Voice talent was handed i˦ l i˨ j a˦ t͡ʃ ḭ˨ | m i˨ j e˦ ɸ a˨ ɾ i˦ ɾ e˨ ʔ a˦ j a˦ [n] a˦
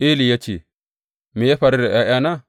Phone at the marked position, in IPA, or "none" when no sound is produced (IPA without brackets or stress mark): n